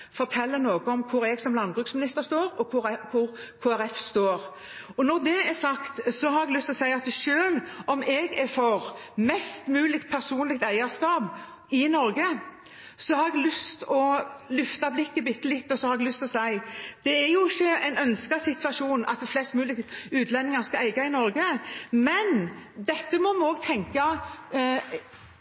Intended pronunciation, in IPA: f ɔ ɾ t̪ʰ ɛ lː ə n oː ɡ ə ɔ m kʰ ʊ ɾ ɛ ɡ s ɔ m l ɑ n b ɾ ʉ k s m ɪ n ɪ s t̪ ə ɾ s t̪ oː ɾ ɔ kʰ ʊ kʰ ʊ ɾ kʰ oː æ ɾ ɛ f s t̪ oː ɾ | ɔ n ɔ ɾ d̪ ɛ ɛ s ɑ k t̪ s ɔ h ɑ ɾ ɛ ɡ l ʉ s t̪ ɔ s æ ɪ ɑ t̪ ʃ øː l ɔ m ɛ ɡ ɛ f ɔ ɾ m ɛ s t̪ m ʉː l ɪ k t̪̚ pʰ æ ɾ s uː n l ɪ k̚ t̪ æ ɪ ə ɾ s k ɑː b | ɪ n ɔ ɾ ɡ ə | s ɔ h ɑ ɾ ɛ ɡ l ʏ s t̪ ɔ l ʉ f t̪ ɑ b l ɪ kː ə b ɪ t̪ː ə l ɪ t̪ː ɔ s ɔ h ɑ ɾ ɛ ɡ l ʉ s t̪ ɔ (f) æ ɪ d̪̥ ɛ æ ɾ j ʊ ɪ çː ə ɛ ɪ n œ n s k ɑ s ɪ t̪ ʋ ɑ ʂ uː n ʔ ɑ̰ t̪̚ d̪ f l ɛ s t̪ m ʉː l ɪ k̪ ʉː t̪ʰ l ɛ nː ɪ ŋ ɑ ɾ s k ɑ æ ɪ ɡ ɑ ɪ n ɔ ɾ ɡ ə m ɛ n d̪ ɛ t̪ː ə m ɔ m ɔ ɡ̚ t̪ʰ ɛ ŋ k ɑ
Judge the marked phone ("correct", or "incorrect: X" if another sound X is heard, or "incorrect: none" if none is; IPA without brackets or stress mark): incorrect: s